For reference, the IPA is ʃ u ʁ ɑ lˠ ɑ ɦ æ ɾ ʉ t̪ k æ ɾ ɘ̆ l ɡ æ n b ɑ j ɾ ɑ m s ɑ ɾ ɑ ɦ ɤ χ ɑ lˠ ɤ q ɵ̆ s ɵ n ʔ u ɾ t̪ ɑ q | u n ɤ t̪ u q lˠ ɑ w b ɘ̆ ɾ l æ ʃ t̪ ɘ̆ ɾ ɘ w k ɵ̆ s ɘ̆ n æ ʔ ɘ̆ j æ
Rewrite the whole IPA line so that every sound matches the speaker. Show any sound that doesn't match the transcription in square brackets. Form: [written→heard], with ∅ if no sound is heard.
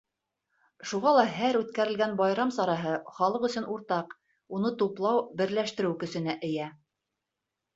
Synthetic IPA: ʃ u ʁ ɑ lˠ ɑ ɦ æ ɾ ʉ t̪ k æ ɾ ɘ̆ l ɡ æ n b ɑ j ɾ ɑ m s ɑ ɾ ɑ ɦ ɤ χ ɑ lˠ ɤ q ɵ̆ s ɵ n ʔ u ɾ t̪ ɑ q | u n ɤ t̪ u [q→p] lˠ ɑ w b ɘ̆ ɾ l æ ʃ t̪ ɘ̆ ɾ ɘ w k ɵ̆ s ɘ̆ n æ ʔ ɘ̆ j æ